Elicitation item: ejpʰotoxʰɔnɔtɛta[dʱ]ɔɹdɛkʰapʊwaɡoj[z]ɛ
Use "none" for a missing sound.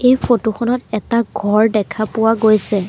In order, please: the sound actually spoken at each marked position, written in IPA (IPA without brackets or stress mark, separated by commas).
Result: ɡʱ, s